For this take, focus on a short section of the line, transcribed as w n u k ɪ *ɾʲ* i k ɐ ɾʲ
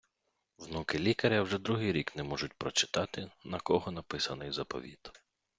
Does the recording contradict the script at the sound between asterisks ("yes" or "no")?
yes